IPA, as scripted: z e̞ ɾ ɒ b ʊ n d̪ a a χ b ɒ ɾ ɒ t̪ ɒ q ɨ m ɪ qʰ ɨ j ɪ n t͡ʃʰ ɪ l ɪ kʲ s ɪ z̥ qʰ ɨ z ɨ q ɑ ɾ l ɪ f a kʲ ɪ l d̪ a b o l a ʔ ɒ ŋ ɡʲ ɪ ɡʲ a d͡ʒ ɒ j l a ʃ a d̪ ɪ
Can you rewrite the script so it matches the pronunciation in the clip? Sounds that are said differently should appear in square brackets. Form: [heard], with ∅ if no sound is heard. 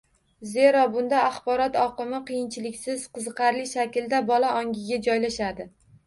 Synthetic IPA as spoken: z e̞ ɾ ɒ b ʊ n d̪ a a χ b ɒ ɾ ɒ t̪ ɒ q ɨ m ɪ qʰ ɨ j ɪ n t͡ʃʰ ɪ l ɪ kʲ s ɪ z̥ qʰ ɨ z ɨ q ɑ ɾ l ɪ [ʃ] a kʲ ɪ l d̪ a b [ɒ] l a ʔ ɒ ŋ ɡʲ ɪ ɡʲ a d͡ʒ ɒ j l a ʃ a d̪ ɪ